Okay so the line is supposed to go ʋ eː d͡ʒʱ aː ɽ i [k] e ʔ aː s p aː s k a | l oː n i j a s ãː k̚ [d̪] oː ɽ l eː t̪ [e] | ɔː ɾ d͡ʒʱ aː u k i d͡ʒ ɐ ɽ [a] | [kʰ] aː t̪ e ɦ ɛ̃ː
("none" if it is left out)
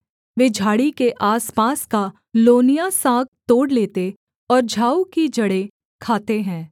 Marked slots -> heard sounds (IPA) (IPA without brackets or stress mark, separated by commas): k, t̪, e, e, kʰ